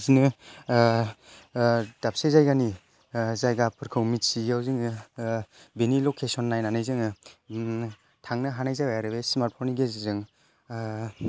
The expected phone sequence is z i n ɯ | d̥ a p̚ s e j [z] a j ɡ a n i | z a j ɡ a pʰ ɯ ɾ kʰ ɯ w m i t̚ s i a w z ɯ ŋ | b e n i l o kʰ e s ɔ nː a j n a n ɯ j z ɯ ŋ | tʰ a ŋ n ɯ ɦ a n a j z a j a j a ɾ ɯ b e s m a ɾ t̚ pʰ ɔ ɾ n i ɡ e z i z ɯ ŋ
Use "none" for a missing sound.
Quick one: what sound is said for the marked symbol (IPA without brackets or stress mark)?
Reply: z